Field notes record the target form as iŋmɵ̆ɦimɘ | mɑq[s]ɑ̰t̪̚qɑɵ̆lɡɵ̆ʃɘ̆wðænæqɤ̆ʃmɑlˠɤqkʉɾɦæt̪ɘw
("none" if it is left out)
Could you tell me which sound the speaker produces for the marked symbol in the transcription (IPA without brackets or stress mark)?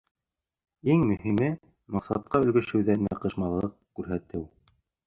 s